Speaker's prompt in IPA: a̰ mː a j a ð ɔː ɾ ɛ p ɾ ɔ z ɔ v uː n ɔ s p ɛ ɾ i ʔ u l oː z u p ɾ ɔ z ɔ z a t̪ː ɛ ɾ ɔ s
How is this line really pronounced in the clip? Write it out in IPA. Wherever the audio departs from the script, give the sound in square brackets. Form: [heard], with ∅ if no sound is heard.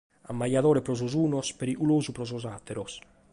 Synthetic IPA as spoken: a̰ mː a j a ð ɔː ɾ ɛ p ɾ ɔ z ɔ [z] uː n ɔ s p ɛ ɾ i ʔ u l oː z u p ɾ ɔ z ɔ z a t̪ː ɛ ɾ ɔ s